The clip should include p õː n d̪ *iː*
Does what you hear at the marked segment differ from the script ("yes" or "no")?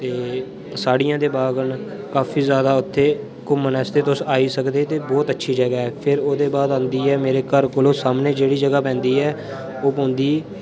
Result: no